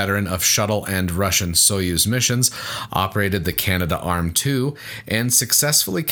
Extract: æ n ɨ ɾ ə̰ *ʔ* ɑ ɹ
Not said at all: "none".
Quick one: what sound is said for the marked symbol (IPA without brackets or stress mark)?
ʔ